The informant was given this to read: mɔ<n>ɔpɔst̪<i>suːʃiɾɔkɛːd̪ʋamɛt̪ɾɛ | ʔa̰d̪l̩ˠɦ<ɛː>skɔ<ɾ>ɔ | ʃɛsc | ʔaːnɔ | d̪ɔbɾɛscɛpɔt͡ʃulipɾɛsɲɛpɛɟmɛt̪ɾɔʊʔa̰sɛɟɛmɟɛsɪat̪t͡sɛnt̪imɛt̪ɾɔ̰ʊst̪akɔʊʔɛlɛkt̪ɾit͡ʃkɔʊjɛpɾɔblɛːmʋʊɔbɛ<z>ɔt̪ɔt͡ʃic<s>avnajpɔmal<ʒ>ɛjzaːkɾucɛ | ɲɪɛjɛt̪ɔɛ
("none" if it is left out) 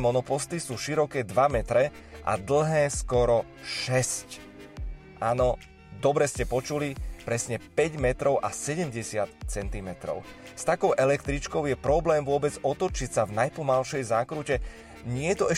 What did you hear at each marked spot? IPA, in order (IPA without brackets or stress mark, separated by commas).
n, i, ɛː, ɾ, d͡z, s, ʃ